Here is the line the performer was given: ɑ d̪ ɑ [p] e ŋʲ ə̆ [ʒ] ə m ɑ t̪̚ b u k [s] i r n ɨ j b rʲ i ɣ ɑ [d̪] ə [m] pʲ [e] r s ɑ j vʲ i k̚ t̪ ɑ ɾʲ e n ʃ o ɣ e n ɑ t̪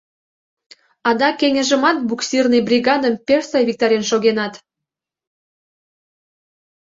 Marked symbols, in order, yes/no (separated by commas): no, yes, yes, yes, yes, yes